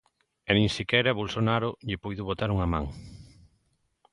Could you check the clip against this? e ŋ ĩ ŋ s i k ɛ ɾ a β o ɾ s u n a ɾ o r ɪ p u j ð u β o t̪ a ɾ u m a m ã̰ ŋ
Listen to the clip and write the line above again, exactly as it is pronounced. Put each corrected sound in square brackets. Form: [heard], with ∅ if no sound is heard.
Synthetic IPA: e [n] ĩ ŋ s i k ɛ ɾ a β o [l] s [o] n a ɾ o [ʎ] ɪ p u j ð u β o t̪ a ɾ u [ŋ] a m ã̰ ŋ